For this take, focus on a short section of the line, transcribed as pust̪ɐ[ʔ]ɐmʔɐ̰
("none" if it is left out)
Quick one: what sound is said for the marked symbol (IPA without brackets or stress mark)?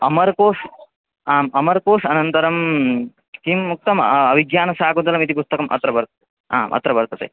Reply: k